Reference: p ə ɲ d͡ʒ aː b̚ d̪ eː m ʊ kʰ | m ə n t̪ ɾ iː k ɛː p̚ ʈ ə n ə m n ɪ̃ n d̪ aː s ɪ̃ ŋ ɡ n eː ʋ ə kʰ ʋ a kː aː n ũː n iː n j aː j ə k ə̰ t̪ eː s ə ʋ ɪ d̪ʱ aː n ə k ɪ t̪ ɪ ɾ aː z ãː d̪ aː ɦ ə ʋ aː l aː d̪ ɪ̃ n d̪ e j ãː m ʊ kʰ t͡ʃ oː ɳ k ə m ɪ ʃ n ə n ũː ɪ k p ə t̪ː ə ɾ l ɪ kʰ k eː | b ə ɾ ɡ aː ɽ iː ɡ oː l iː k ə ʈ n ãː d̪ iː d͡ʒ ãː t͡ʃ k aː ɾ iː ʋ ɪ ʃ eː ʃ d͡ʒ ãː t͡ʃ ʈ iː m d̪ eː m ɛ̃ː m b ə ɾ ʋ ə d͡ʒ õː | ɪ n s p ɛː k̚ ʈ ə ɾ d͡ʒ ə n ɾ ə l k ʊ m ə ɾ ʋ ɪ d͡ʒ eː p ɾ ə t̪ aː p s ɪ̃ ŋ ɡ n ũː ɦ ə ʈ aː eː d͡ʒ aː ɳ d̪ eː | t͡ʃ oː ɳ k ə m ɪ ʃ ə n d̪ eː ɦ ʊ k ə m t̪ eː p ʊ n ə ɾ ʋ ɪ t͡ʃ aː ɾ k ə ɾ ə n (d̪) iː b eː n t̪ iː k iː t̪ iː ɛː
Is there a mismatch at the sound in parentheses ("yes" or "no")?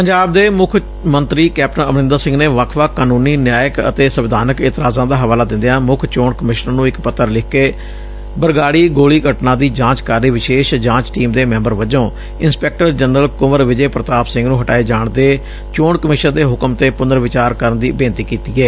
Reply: no